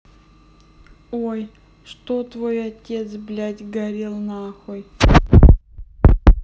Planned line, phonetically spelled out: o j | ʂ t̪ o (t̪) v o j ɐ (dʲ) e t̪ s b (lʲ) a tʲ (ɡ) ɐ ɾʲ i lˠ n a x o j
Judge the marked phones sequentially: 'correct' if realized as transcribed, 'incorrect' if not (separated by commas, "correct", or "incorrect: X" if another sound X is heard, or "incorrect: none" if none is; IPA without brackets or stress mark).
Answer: correct, incorrect: tʲ, correct, correct